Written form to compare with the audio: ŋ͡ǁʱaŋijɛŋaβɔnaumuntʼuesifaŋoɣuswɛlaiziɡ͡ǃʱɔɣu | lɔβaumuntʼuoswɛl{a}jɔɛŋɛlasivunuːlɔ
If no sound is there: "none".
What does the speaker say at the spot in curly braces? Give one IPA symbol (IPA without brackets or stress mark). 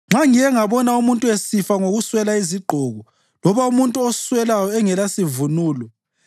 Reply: a